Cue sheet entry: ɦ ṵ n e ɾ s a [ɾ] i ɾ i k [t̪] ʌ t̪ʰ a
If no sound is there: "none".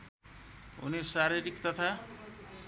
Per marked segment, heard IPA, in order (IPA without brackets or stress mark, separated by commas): ɾ, t̪